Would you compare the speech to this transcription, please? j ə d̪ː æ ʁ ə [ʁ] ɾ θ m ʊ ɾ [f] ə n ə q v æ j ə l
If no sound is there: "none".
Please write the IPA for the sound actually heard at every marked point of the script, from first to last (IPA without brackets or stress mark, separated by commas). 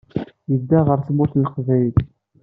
none, θ